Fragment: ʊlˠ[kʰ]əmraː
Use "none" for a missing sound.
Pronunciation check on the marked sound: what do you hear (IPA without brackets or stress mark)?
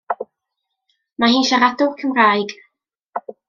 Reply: kʰ